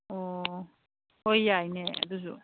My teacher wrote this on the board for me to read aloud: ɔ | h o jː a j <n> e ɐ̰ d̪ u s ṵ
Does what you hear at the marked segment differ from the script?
no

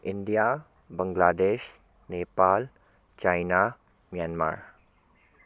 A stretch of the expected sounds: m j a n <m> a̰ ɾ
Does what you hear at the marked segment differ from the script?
no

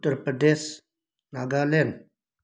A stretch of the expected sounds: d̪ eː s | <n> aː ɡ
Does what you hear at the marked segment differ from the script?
no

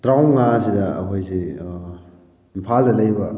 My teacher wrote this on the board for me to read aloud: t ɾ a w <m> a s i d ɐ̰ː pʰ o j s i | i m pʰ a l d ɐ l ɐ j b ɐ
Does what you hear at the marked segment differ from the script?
yes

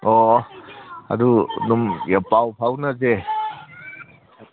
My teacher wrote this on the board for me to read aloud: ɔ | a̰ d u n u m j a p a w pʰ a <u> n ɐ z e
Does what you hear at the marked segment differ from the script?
yes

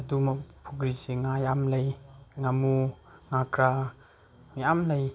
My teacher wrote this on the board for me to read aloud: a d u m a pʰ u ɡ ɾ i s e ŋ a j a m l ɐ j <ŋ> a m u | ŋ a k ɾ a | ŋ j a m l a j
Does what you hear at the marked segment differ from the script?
no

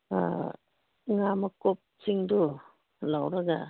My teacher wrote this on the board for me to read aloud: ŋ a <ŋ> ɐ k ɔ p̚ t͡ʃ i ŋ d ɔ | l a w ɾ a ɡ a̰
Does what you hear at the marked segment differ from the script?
yes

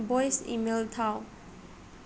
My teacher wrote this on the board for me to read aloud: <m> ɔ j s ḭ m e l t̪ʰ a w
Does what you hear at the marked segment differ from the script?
yes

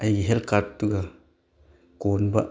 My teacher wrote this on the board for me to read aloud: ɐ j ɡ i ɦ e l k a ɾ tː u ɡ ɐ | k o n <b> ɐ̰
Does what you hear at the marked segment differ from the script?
no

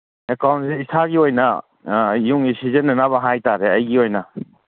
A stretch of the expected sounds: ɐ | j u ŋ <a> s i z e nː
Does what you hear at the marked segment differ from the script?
yes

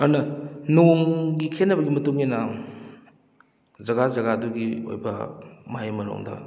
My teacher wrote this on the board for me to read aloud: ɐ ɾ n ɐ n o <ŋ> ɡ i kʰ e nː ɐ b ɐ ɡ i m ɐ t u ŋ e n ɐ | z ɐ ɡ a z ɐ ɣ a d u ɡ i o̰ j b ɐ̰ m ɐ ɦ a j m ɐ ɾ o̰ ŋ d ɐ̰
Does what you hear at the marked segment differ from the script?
no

